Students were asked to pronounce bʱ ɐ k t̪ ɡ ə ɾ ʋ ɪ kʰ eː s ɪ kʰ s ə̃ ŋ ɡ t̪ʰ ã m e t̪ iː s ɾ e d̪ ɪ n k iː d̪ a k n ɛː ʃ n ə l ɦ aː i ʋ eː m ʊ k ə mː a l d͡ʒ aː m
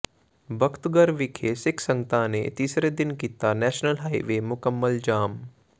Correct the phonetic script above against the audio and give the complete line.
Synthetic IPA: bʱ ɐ k t̪ ɡ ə ɾ ʋ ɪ kʰ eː s ɪ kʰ s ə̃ ŋ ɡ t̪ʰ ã n e t̪ iː s ɾ e d̪ ɪ n k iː t̪ a n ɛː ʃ n ə l ɦ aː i ʋ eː m ʊ k ə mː ə l d͡ʒ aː m